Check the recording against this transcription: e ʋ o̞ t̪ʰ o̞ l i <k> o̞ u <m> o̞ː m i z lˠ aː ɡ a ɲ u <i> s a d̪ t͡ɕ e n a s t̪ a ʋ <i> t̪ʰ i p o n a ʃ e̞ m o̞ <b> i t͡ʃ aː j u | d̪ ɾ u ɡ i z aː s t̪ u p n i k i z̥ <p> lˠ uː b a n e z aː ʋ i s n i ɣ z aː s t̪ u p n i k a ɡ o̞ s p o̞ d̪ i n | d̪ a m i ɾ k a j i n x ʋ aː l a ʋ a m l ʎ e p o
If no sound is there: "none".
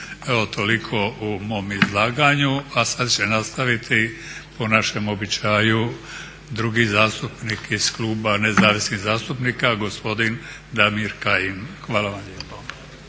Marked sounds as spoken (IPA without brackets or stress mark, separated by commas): kʰ, m, a, i, b, k